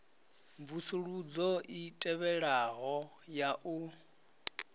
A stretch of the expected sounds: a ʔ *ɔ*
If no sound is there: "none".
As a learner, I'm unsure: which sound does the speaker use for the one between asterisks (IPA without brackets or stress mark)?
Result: u